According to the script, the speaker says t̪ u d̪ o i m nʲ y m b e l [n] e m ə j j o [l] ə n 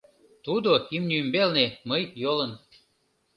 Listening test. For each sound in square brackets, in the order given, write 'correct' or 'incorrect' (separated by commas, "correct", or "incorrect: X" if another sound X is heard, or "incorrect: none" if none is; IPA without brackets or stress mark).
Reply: correct, correct